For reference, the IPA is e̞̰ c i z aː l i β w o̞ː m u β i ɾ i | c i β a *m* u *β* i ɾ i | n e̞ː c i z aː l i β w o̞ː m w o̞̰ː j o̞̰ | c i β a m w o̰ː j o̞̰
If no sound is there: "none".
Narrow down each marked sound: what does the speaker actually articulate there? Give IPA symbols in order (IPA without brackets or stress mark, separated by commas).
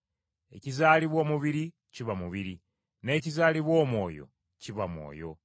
m, β